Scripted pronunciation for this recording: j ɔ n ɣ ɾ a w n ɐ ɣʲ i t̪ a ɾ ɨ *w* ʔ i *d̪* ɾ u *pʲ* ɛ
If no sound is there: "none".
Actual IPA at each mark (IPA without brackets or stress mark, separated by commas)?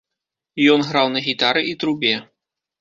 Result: none, t̪, bʲ